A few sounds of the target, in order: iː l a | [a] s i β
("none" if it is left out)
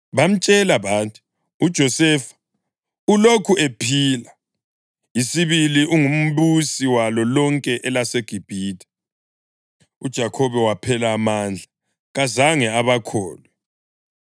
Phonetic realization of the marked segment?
i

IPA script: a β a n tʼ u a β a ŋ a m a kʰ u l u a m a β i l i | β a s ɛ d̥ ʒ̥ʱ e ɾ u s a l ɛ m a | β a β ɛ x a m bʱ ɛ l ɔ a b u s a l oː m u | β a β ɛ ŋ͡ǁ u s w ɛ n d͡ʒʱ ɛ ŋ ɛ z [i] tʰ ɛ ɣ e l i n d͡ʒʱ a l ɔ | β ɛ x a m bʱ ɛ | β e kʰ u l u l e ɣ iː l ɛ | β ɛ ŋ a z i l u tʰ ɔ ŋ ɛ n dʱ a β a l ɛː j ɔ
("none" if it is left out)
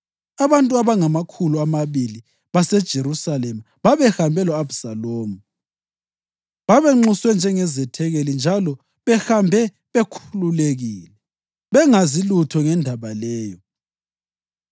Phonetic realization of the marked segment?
ɛ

